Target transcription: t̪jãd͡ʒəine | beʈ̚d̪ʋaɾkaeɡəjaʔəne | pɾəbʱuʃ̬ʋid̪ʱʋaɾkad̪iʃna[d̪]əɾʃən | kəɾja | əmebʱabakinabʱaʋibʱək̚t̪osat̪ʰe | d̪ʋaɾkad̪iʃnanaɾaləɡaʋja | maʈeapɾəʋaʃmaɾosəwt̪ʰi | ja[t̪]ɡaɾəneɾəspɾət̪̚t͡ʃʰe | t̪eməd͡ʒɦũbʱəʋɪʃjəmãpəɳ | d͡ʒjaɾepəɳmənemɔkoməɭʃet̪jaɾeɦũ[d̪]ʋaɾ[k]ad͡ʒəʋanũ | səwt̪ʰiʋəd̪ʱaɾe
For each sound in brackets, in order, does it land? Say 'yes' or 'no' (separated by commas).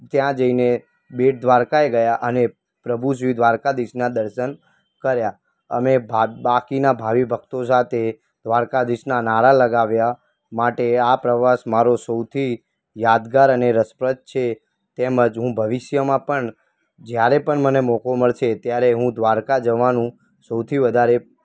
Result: yes, no, yes, yes